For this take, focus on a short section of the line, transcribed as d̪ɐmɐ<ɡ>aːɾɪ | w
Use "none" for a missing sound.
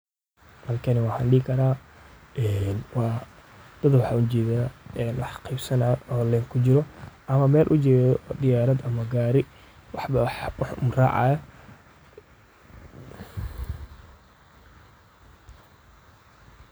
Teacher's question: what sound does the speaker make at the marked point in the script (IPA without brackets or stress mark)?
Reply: ɡ